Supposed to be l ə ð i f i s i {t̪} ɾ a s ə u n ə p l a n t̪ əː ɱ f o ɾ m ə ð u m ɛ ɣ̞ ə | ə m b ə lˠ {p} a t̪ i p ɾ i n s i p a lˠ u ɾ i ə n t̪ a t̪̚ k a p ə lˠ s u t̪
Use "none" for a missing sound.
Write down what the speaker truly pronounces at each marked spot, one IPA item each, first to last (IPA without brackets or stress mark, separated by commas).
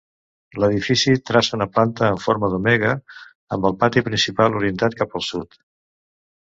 t̪, p